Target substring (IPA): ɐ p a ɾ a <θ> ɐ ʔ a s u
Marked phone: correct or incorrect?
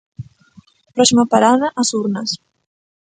incorrect